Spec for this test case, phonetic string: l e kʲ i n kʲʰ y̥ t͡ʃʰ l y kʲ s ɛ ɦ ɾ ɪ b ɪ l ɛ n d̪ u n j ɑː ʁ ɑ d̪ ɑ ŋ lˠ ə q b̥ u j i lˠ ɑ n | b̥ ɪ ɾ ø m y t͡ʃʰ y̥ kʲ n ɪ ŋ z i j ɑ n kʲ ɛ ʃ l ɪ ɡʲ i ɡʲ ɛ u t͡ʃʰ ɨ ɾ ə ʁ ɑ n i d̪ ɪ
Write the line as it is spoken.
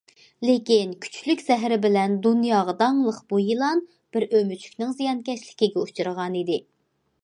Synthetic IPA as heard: l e kʲ i n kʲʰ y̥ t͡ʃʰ l y kʲ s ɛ ɦ ɾ ɪ b ɪ l ɛ n d̪ u n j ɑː ʁ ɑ d̪ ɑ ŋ lˠ ə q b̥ u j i lˠ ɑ n | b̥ ɪ ɾ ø m y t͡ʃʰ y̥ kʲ n ɪ ŋ z i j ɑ n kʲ ɛ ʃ l ɪ kʲ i ɡʲ ɛ u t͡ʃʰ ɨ ɾ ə ʁ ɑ n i d̪ ɪ